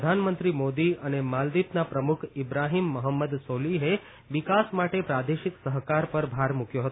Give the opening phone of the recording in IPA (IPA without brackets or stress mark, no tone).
d̪ʱ